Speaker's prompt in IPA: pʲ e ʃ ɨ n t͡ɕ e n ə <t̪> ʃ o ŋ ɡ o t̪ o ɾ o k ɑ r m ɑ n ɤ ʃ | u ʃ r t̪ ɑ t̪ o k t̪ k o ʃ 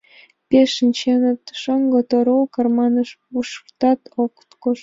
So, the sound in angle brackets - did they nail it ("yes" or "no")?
yes